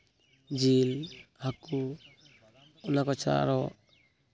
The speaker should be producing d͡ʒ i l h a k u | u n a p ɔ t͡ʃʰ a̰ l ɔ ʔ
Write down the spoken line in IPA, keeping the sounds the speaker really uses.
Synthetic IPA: d͡ʒ i l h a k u | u n a k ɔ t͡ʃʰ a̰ ɾ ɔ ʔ